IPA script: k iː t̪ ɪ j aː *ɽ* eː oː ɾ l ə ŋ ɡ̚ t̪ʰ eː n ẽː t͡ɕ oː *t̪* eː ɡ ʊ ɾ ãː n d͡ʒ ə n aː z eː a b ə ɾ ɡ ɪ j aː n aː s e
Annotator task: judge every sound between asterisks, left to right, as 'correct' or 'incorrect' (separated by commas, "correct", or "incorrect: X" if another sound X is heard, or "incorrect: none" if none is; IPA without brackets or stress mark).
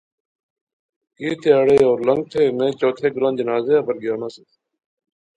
correct, incorrect: t̪ʰ